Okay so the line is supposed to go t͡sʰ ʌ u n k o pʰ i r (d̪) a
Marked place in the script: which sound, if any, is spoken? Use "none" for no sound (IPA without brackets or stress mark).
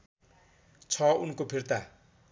t̪